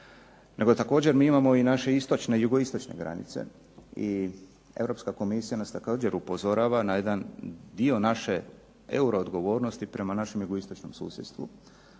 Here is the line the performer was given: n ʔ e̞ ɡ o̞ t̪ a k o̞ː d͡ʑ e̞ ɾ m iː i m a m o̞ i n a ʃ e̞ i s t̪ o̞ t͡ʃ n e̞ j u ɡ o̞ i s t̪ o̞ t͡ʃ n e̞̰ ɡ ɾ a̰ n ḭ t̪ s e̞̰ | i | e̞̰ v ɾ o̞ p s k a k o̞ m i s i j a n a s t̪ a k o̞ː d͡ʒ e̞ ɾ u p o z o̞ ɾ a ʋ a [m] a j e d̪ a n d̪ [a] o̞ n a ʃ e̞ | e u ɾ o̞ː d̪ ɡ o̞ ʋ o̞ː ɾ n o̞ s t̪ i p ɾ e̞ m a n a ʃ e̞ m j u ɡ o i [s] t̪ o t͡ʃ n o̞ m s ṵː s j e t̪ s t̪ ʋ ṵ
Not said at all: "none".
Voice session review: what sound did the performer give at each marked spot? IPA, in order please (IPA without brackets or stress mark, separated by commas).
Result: n, i, s